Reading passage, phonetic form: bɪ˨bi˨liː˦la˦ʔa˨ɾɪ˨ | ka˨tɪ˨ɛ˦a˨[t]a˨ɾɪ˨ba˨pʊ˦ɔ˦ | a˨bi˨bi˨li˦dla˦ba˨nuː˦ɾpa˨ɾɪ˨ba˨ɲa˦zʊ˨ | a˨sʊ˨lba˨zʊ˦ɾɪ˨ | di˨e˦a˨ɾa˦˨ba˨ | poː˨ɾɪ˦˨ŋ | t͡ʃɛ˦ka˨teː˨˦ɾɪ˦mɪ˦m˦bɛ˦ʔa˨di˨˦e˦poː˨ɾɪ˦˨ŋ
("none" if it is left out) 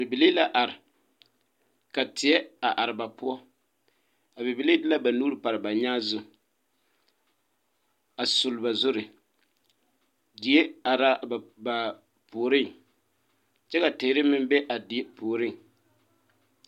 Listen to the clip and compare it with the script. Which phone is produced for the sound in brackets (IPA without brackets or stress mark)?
ʔ